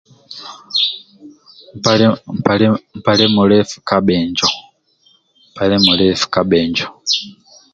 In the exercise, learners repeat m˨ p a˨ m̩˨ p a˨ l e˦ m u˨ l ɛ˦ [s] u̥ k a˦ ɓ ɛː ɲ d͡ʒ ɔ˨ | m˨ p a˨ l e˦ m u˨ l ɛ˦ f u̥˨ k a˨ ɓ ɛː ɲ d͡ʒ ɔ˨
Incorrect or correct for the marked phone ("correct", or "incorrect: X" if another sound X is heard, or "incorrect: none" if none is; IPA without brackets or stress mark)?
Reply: incorrect: f